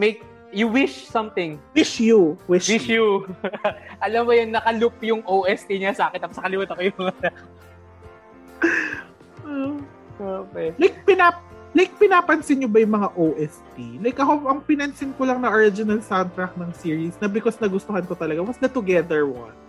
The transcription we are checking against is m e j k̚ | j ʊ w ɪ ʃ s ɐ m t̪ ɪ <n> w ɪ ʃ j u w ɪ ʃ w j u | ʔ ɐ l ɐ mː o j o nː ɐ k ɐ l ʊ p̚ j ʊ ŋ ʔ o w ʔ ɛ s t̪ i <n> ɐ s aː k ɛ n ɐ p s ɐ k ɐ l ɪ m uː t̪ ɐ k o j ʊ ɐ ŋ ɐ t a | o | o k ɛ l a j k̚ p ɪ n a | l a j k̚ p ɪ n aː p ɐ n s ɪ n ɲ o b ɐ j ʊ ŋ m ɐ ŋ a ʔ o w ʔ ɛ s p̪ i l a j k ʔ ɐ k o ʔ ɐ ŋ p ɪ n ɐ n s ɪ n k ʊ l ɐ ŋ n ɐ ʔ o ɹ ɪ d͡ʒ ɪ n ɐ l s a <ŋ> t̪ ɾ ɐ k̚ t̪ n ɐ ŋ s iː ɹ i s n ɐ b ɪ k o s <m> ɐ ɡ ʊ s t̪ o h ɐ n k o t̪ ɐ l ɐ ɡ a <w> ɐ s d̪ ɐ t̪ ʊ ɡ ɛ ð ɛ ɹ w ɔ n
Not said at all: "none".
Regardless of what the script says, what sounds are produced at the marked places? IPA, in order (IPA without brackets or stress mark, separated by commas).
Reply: ŋ, ɲ, n, n, w